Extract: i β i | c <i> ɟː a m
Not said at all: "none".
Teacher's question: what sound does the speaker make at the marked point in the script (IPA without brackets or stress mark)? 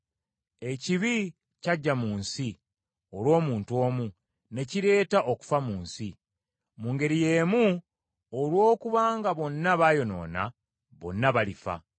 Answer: a